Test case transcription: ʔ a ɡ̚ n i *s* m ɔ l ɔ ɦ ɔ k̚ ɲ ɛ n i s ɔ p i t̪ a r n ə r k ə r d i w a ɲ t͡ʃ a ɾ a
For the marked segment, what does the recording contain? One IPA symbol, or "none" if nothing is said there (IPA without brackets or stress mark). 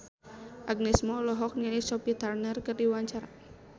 s